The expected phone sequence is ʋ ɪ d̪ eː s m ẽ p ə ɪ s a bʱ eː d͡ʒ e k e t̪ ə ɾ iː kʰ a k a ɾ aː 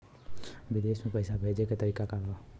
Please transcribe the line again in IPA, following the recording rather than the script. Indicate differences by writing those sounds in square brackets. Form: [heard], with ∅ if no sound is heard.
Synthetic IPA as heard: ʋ ɪ d̪ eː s m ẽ p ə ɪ s a bʱ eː d͡ʒ e k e t̪ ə ɾ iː [k] a k a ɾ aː